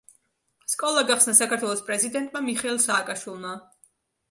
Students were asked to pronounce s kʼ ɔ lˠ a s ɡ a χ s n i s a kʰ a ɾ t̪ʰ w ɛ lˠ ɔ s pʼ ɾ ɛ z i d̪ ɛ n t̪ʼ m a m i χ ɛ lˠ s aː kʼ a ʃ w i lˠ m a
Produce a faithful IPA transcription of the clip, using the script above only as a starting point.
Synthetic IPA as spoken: s kʼ ɔ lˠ a ɡ a χ s n a s a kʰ a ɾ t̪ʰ w ɛ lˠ ɔ s pʼ ɾ ɛ z i d̪ ɛ n t̪ʼ m a m i χ ɛ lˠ s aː kʼ a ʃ w i lˠ m a